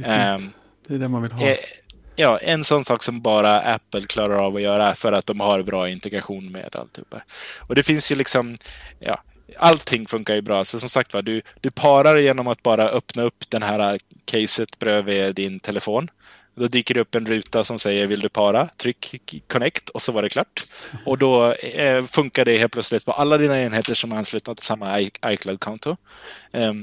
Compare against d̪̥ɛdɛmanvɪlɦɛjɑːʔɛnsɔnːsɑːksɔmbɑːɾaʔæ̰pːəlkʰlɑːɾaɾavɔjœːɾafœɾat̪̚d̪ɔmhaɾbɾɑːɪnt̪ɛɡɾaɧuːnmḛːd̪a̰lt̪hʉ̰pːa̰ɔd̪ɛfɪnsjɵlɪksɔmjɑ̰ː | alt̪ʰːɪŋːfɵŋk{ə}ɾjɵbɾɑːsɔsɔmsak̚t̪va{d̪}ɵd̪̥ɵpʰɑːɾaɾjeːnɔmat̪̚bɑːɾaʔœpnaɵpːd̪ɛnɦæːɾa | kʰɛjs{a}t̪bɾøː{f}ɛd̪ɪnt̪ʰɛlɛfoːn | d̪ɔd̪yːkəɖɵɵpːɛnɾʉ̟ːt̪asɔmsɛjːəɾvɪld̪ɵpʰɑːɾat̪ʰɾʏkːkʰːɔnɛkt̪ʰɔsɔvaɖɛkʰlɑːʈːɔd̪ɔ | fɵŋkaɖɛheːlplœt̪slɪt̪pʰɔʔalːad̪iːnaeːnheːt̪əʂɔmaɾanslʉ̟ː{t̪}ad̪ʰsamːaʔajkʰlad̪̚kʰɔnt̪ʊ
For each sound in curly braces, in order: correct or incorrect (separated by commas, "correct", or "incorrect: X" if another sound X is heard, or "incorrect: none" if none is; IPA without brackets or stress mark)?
incorrect: a, correct, incorrect: ə, incorrect: v, correct